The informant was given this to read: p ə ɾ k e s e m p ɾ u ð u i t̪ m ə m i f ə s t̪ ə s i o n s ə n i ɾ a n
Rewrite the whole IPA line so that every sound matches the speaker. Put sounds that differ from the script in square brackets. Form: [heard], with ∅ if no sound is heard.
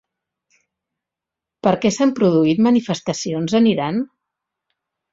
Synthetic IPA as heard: p ə ɾ k [ɛ] s [a] m p ɾ u ð u i t̪ m ə [n] i f ə s t̪ ə s i o n [z] ə n i ɾ a n